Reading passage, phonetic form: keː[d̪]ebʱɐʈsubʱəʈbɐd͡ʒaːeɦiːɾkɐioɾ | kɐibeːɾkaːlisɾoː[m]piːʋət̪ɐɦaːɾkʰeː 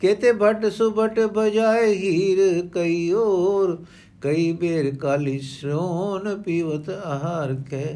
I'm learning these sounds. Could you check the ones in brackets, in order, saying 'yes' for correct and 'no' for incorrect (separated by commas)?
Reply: no, no